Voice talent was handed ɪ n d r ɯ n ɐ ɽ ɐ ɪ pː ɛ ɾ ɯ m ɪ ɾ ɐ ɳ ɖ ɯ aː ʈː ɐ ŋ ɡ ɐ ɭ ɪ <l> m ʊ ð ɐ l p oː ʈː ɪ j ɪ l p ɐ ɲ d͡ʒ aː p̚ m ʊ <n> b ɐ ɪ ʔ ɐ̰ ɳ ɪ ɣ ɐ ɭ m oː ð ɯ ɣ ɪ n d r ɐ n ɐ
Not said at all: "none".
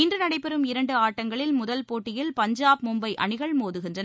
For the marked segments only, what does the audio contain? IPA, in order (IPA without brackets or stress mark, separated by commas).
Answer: l, m